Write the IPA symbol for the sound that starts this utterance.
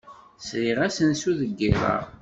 s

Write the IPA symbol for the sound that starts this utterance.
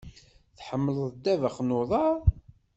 θ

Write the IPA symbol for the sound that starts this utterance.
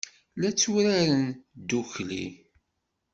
l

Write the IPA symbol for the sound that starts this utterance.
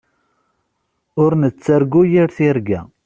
ʊ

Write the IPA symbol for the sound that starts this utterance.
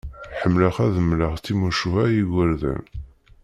ħ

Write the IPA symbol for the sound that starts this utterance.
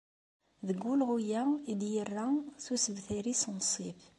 ð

